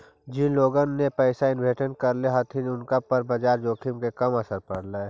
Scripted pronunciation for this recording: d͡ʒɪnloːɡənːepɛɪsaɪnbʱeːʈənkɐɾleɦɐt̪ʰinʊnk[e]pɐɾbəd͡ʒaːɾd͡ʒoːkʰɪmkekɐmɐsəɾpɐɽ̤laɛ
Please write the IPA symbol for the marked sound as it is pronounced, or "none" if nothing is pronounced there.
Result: a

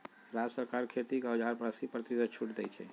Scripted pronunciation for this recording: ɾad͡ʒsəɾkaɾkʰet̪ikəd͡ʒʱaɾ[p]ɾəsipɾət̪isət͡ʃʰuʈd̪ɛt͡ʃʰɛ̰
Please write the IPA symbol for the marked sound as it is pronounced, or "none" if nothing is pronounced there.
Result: p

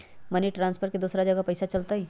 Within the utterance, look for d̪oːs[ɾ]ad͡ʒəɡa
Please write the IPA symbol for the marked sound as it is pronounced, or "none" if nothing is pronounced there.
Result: ɾ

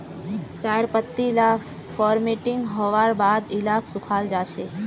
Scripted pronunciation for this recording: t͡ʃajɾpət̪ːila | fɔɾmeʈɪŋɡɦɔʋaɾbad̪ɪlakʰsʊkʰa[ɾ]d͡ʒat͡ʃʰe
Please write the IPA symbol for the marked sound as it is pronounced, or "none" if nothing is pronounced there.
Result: l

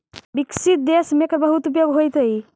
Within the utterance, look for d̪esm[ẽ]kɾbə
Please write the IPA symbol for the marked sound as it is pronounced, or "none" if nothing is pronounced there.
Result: e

